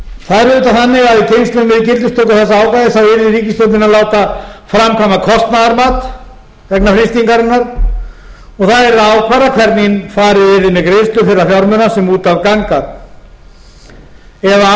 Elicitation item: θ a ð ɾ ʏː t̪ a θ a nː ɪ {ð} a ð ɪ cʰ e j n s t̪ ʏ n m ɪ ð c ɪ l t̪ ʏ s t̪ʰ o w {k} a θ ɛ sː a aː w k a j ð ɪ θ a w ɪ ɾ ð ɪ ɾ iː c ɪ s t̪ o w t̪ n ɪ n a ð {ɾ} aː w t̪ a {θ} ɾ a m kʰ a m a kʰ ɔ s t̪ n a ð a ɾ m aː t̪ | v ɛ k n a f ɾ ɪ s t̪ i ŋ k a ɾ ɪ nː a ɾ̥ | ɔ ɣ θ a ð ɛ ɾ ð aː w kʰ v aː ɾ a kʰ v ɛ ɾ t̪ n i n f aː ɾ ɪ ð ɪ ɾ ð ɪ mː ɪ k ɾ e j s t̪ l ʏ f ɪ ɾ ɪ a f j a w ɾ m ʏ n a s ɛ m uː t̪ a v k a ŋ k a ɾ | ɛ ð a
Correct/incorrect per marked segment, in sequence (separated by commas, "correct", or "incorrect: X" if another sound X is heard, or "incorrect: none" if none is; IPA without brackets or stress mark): incorrect: ɣ, correct, incorrect: l, incorrect: f